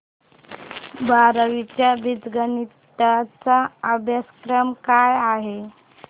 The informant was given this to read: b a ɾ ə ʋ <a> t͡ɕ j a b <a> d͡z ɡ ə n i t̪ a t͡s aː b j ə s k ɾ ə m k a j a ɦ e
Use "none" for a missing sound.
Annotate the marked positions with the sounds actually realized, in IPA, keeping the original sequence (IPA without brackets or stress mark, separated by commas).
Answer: i, i